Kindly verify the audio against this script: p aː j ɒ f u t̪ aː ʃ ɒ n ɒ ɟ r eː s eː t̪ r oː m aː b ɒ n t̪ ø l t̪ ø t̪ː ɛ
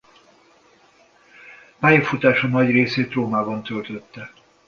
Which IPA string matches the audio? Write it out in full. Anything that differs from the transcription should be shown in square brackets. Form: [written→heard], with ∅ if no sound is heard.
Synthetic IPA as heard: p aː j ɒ f u t̪ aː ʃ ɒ n ɒ ɟ r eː s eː t̪ r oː m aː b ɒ n t̪ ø l t̪ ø t̪ː ɛ